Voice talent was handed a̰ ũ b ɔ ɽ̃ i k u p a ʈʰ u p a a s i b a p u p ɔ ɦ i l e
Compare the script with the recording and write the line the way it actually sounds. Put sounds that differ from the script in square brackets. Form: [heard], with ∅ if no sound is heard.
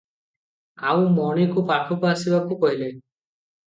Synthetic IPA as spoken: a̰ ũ [m] ɔ ɽ̃ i k u p a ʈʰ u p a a s i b a [k] u [k] ɔ ɦ i l e